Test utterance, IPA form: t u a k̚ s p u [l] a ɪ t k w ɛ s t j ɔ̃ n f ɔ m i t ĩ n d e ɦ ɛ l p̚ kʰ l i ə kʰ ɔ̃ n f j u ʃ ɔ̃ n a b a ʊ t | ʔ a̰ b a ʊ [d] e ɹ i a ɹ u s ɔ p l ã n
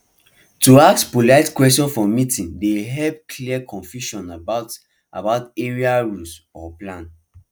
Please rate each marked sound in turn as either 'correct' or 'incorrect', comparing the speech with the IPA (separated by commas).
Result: correct, incorrect